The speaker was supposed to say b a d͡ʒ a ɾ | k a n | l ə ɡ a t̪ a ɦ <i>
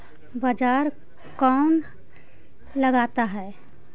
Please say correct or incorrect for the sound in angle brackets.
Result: incorrect